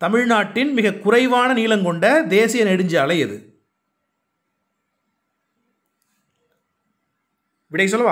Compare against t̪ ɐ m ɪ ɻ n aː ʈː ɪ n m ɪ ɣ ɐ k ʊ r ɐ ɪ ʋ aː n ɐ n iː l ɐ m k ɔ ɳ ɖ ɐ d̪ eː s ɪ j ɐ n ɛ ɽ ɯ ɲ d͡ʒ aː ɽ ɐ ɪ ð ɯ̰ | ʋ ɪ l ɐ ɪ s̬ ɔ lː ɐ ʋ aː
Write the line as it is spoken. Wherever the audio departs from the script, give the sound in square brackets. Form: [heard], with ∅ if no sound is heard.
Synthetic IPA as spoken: t̪ ɐ m ɪ ɻ n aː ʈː ɪ n m ɪ ɣ ɐ k ʊ r ɐ ɪ ʋ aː n ɐ n iː l ɐ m k ɔ ɳ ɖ ɐ d̪ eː s ɪ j ɐ n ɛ ɽ ɯ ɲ d͡ʒ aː [l] ɐ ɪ ð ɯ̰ | ʋ ɪ [ɽ] ɐ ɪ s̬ ɔ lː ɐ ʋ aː

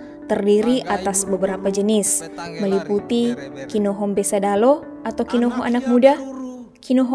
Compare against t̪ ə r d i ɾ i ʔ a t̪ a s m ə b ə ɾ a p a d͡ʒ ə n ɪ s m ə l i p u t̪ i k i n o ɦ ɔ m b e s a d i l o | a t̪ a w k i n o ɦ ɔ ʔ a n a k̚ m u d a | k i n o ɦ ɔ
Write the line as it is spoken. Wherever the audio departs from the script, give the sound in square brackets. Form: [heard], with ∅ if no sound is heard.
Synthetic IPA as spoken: t̪ ə r d i ɾ i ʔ a t̪ a s [b] ə b ə ɾ a p a d͡ʒ ə n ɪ s m ə l i p u t̪ i k i n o ɦ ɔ m b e s a d [a] l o | a t̪ a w k i n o ɦ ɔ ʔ a n a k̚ m u d a | k i n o ɦ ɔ

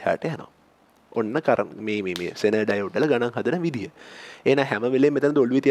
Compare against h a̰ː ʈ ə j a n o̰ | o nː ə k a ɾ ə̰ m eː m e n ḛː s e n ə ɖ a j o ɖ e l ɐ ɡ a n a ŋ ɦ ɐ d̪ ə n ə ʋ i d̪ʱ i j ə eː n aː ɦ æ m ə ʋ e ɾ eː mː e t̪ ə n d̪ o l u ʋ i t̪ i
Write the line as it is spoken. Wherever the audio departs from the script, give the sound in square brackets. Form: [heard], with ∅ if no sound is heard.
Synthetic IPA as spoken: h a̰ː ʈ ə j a n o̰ | o nː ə k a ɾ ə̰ m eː m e [m] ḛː s e n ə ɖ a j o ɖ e l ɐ ɡ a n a ŋ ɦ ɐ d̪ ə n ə ʋ i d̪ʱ i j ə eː n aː ɦ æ m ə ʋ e [l] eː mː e t̪ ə n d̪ o l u ʋ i t̪ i

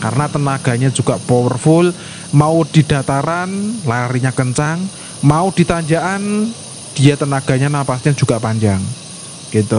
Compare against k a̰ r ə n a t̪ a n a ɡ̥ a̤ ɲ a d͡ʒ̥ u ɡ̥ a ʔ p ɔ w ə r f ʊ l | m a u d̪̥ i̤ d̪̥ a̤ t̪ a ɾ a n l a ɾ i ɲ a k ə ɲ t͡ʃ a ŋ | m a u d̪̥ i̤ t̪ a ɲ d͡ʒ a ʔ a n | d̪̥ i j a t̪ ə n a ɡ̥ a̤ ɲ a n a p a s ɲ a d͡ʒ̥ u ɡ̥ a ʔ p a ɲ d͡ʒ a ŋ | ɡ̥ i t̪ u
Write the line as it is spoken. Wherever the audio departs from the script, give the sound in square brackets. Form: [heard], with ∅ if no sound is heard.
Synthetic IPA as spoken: k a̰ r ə n a t̪ [ə] n a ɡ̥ a̤ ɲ a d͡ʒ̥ u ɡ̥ a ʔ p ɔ w ə r f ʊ l | m a u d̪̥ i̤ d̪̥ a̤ t̪ a ɾ a n l a ɾ i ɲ a k ə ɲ t͡ʃ a ŋ | m a u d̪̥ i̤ t̪ a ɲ d͡ʒ a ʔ a n | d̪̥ i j a t̪ ə n a ɡ̥ a̤ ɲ a n a p a s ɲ a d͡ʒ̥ u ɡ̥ a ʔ p a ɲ d͡ʒ a ŋ | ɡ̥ i t̪ u

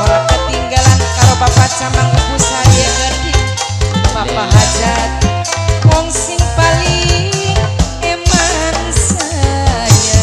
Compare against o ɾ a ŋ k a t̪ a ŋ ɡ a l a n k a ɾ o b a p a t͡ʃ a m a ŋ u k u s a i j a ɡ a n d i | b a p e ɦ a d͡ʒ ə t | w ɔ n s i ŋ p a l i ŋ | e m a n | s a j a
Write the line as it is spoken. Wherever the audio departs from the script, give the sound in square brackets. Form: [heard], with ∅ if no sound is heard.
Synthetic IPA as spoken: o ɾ a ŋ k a t̪ [i] ŋ ɡ a l a n k a ɾ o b a p a t͡ʃ a m a ŋ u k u s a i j a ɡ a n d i | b a p [a] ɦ a d͡ʒ [a] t | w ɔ [ŋ] s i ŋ p a l i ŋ | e m a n | s a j a

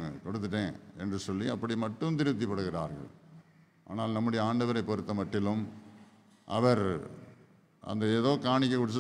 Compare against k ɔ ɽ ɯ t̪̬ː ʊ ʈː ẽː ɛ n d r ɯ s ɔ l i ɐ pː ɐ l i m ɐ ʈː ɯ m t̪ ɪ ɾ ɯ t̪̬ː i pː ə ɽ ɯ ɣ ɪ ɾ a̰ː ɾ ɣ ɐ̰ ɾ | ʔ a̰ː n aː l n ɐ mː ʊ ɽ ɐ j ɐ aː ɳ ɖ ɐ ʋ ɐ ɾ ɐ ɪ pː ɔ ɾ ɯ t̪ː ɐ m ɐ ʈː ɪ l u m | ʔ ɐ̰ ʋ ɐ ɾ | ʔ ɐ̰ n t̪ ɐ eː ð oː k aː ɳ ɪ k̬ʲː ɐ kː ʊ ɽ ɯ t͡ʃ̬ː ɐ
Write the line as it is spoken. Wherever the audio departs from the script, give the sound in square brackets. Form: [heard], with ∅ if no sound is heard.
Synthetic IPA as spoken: k ɔ ɽ ɯ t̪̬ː [ɯ] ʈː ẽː ɛ n d r ɯ s ɔ [lː] i ɐ pː ɐ [ɽ] i m ɐ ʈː ɯ m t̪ ɪ ɾ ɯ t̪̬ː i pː [ɐ] ɽ ɯ ɣ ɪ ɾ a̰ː ɾ ɣ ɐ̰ [ɭ] | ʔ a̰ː n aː l n ɐ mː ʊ ɽ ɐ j ɐ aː ɳ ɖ ɐ ʋ ɐ ɾ ɐ ɪ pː ɔ ɾ ɯ t̪ː ɐ m ɐ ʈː ɪ l [ɯ] m | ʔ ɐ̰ ʋ ɐ ɾ | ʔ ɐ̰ n [d̪] ɐ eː ð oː k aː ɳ ɪ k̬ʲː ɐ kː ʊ ɽ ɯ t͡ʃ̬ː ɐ

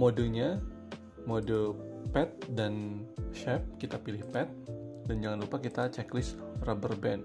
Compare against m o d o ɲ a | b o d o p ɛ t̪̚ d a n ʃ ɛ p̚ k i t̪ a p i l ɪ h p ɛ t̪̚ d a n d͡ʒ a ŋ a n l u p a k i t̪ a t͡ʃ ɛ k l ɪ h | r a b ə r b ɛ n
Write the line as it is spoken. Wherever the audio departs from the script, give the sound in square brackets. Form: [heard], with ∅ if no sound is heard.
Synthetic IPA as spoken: m o d o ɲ a | [m] o d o p ɛ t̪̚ d a n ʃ ɛ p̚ k i t̪ a p i l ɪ h p ɛ t̪̚ d a n d͡ʒ a ŋ a n l u p a k i t̪ a t͡ʃ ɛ k l ɪ [s] | r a b ə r b ɛ n

